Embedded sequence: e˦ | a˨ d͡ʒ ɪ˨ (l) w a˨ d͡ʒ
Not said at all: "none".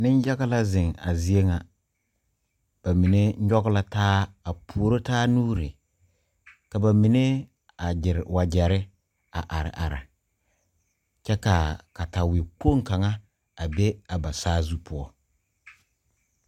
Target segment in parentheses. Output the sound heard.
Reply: ɾ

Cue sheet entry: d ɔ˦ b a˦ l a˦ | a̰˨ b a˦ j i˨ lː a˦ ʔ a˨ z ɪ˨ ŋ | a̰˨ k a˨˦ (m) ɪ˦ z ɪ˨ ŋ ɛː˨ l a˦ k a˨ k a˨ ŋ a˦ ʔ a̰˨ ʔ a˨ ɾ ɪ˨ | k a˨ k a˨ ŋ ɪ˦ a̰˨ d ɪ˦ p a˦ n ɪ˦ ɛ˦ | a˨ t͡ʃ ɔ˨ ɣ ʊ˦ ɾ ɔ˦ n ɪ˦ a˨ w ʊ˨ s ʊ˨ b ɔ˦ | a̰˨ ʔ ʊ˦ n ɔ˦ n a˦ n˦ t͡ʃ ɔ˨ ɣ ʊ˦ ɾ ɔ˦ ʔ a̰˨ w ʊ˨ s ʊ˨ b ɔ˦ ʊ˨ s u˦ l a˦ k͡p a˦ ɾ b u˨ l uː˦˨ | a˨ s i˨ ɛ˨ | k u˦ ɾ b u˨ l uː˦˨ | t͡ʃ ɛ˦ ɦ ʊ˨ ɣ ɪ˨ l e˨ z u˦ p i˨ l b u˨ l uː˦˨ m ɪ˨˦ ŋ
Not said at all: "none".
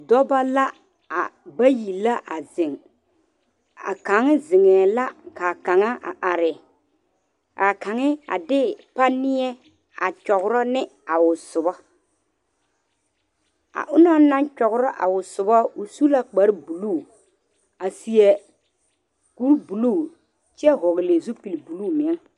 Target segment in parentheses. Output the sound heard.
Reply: ŋ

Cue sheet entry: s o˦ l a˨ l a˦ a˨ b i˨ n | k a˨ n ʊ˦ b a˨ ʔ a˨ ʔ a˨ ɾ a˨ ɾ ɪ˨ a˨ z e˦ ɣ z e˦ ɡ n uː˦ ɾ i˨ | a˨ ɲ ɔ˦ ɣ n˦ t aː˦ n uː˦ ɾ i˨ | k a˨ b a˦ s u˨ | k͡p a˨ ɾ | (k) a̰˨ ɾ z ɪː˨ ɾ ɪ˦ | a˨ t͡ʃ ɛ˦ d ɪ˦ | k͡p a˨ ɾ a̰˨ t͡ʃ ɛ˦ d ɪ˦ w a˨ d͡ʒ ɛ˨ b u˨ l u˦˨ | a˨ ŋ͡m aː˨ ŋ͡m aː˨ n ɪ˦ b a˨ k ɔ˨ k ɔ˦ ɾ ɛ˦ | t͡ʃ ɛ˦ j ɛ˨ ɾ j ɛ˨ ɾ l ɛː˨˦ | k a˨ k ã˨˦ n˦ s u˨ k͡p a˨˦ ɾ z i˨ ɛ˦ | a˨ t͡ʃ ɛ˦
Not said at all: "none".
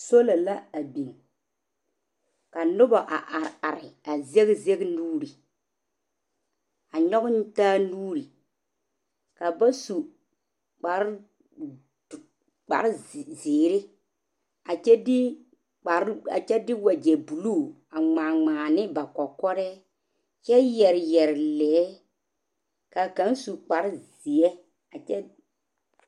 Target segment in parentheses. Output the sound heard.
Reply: k͡p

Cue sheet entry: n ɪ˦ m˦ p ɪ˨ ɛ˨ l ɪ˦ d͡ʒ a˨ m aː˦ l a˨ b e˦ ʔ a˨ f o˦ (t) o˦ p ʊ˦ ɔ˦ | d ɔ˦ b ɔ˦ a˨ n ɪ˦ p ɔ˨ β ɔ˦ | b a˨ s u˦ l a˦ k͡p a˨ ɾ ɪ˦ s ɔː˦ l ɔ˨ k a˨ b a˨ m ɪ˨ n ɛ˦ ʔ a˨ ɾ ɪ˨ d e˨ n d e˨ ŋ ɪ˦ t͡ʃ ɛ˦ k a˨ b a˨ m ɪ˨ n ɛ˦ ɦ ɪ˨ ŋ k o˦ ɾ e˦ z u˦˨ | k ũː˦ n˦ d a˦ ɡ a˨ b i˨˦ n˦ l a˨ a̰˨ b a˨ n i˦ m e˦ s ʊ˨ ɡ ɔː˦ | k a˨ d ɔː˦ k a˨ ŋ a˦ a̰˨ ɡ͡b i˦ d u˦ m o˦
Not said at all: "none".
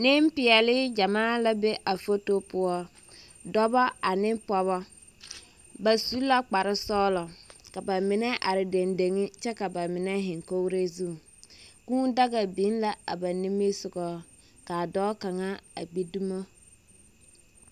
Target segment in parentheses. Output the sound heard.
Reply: t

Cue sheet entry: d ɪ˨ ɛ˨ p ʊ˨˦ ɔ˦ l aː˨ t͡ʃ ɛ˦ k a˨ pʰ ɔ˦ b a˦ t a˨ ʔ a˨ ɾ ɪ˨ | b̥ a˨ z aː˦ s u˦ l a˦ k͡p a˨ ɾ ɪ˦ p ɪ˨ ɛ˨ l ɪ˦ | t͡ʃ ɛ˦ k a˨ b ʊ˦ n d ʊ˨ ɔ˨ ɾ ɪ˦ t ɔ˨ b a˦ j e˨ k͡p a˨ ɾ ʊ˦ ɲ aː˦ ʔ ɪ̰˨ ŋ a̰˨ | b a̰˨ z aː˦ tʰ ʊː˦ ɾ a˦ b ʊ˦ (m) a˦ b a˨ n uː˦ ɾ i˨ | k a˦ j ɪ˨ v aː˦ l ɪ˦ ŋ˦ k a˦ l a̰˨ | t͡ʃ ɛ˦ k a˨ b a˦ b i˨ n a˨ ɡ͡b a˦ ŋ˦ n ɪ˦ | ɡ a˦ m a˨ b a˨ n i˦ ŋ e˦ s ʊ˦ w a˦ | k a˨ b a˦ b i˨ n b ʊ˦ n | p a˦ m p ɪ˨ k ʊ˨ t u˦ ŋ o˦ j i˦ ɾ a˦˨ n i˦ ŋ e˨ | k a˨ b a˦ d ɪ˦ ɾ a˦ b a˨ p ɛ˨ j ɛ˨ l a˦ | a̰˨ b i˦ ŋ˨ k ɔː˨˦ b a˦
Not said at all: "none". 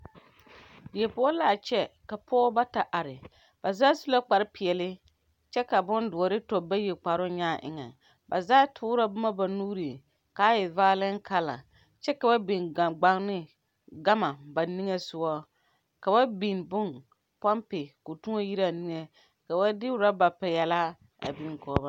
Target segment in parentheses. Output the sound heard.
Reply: m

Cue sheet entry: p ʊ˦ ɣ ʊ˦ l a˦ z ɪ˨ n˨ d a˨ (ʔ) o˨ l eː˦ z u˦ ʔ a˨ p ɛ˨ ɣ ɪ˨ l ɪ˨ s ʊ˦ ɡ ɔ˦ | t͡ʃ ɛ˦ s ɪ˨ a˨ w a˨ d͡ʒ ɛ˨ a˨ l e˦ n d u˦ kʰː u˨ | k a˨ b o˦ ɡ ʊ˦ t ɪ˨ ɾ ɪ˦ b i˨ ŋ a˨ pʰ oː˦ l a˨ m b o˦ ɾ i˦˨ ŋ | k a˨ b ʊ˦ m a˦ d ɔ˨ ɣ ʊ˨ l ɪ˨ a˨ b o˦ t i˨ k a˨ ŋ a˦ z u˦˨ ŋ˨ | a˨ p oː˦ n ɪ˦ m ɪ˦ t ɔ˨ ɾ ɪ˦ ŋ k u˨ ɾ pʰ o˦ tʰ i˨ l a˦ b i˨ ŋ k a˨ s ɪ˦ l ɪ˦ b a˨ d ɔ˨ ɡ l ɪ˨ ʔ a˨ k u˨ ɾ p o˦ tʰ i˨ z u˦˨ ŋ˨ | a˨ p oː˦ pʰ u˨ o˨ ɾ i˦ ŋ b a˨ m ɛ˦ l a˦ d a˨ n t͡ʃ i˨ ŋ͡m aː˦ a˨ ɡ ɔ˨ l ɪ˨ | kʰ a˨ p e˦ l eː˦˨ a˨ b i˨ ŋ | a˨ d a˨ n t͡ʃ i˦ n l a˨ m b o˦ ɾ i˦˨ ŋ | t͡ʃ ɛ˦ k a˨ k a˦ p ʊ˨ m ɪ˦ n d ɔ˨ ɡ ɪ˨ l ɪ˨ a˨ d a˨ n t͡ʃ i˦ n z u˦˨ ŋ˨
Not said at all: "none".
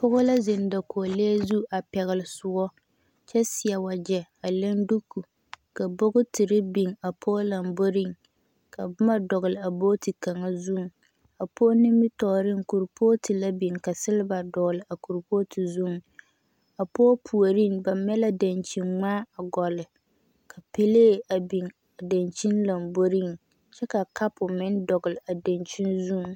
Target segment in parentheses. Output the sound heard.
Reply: k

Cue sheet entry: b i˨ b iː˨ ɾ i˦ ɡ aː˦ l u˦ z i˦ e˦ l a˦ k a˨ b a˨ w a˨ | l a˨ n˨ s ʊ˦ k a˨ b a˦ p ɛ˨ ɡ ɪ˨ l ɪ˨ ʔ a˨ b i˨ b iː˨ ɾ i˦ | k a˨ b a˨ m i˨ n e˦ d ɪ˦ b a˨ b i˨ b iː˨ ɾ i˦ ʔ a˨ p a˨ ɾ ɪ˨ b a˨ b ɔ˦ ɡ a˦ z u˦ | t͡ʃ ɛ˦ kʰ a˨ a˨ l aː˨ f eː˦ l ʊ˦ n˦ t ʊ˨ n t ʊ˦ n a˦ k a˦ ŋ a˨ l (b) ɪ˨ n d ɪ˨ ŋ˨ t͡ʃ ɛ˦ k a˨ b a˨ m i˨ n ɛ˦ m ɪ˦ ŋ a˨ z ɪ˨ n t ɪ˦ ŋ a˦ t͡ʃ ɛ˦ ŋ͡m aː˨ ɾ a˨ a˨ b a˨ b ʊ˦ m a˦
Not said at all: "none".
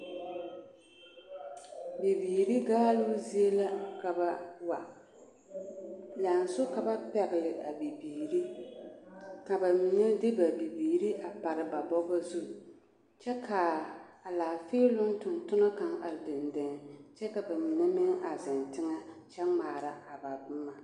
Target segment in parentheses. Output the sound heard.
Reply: d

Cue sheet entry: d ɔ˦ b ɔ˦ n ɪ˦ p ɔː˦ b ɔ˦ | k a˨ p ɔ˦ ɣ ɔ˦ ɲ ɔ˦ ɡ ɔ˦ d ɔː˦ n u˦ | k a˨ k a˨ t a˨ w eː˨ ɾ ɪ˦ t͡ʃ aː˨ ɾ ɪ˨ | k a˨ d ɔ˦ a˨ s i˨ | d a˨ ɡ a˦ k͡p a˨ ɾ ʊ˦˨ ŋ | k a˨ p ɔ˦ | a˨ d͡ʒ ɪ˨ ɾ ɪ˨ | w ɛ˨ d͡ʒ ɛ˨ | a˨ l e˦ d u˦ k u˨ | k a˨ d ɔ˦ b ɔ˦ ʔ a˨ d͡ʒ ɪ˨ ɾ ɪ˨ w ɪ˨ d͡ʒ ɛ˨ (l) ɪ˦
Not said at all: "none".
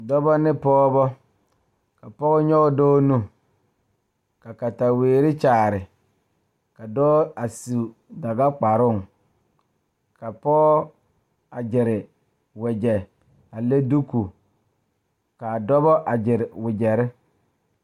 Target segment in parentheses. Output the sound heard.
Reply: ɾ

